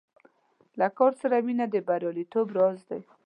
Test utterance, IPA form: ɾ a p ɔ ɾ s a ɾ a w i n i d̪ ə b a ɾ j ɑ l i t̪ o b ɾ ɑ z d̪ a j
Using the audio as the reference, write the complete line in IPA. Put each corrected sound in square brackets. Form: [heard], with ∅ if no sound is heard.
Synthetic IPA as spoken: [l] a [k] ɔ ɾ s a ɾ a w i n [a] d̪ ə b a ɾ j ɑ l i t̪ o b ɾ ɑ z d̪ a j